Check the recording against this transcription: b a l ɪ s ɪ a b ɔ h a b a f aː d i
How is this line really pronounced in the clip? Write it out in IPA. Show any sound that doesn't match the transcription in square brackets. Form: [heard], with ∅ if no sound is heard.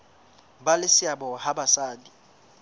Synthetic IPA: b a l ɪ s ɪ a b ɔ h a b a [s] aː d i